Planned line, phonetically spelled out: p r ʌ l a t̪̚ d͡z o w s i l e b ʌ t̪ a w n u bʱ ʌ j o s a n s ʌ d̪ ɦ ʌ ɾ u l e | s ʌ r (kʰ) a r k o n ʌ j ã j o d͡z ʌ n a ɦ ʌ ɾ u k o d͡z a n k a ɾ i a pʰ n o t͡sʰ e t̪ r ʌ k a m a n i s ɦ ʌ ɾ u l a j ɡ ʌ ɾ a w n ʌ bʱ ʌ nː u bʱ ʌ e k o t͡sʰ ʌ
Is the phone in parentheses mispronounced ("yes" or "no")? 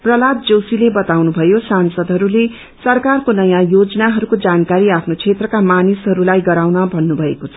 yes